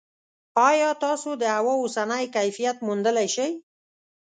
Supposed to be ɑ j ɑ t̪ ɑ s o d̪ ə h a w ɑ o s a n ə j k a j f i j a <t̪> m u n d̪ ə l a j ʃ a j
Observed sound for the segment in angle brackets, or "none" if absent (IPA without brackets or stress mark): t̪